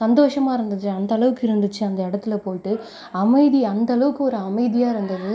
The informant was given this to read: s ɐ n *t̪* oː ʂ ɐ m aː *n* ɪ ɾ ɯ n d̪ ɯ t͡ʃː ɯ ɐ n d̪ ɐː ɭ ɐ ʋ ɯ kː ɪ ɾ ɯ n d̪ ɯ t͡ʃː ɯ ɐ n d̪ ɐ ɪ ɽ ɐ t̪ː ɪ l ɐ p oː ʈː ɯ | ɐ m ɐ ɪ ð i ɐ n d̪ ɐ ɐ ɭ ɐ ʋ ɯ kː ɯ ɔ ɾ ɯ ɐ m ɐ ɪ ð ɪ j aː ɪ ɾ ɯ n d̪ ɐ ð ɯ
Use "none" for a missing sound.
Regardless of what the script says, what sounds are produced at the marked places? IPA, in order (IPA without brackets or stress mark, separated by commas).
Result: d̪, none